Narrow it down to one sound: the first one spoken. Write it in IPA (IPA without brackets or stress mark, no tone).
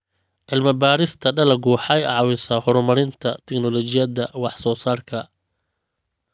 ʕ